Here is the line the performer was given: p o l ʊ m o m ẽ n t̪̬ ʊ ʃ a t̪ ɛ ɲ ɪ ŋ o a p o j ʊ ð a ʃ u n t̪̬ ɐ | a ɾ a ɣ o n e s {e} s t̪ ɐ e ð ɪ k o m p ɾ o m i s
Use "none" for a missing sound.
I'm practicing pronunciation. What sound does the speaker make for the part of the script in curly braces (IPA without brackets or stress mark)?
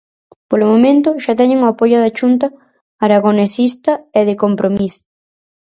i